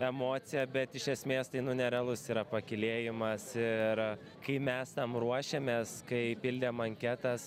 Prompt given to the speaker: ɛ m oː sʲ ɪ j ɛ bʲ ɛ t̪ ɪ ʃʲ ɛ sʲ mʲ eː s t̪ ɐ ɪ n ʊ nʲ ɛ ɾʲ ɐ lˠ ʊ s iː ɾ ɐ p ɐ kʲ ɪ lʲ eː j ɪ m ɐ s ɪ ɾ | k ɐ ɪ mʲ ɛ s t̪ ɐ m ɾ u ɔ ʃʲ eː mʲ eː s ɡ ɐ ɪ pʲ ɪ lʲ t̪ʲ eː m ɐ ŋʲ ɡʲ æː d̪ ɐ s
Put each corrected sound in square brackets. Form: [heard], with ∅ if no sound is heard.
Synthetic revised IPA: ɛ m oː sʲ ɪ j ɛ bʲ ɛ t̪ ɪ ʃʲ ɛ sʲ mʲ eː s t̪ ɐ ɪ n ʊ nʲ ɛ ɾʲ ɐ lˠ ʊ s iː ɾ ɐ p ɐ kʲ ɪ lʲ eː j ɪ m ɐ s ɪ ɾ | k ɐ ɪ mʲ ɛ s t̪ ɐ m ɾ u ɔ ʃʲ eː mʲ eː s [k] ɐ ɪ pʲ ɪ lʲ [d̪ʲ] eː m ɐ ŋʲ [kʲ] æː [t̪] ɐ s